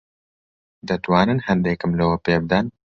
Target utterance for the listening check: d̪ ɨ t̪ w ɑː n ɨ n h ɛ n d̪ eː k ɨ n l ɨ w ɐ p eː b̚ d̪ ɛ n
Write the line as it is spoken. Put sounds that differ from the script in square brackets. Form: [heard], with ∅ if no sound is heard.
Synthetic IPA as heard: d̪ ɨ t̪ w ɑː n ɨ n h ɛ n d̪ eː k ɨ [m] l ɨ w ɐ p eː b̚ d̪ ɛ n